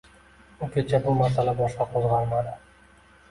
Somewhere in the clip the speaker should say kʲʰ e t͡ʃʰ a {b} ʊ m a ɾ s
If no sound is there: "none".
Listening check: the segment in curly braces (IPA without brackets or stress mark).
b